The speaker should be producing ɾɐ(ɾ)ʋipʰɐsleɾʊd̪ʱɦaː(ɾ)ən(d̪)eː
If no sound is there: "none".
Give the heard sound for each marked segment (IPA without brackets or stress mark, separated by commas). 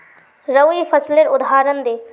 none, ɾ, d̪